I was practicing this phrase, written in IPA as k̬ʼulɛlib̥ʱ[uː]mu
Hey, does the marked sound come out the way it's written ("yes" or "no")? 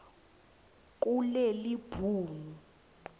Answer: yes